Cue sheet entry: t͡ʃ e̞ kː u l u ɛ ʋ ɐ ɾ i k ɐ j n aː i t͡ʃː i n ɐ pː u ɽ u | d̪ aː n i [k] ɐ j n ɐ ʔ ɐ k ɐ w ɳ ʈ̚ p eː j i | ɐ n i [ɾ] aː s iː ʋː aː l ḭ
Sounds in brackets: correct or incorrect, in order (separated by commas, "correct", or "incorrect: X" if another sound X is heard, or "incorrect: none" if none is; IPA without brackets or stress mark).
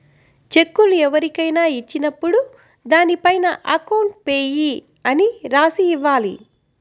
incorrect: p, correct